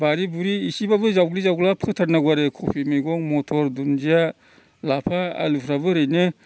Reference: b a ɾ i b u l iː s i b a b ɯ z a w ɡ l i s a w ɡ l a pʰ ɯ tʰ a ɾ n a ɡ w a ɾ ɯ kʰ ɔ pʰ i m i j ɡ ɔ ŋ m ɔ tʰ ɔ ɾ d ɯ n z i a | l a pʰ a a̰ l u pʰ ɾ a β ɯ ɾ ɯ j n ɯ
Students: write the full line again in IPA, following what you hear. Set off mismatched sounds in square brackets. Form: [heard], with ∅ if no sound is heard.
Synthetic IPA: b a ɾ i b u [ɾ] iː s i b a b ɯ z a w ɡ l i [z] a w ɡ l a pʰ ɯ tʰ a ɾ n a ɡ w a ɾ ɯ kʰ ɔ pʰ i m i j ɡ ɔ ŋ m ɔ tʰ ɔ ɾ d [u] n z i a | l a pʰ a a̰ l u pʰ ɾ a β ɯ ɾ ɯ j n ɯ

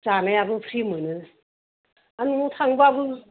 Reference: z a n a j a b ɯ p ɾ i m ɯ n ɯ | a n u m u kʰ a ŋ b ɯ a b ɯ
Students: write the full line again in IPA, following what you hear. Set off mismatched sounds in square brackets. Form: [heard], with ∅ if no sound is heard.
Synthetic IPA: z a n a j a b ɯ [pʰ] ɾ i m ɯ n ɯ | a n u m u [tʰ] a ŋ b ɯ a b ɯ

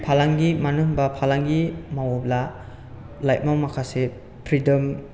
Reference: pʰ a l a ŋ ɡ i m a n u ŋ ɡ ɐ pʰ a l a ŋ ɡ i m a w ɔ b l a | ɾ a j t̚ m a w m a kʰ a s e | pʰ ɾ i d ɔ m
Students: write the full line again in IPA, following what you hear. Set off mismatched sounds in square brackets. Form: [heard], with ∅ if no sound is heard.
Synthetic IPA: pʰ a l a ŋ ɡ i m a n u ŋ [b] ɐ pʰ a l a ŋ ɡ i m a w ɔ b l a | [l] a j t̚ m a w m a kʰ a s e | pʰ ɾ i d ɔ m

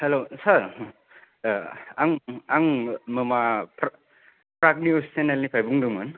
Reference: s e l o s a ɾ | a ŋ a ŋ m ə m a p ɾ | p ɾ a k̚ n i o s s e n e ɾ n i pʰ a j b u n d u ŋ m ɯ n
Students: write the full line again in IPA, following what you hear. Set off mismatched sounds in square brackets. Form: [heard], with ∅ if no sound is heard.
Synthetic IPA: [h] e l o s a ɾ | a ŋ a ŋ m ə m a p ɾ | p ɾ a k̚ n i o s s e n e [l] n i pʰ a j b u [ŋ] d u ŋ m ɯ n

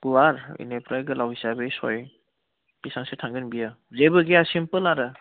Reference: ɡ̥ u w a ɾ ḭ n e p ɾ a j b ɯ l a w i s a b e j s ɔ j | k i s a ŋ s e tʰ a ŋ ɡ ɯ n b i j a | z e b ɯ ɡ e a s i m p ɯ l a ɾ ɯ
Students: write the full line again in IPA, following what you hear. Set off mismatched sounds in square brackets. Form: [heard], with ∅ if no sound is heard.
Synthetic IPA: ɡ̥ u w a ɾ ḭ n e p ɾ a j [ɡ] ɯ l a w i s a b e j s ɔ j | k i s a ŋ s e tʰ a ŋ ɡ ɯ n b i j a | z e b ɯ ɡ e a s i m p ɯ l a ɾ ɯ

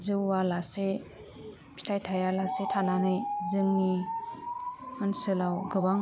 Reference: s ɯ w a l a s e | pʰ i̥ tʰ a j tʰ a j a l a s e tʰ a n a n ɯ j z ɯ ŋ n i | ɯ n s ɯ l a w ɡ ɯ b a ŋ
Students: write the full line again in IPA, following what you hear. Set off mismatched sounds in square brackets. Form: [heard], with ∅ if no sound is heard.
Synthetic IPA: [z] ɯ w a l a s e | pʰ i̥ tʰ a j tʰ a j a l a s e tʰ a n a n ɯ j z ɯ ŋ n i | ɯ n s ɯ l a w ɡ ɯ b a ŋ

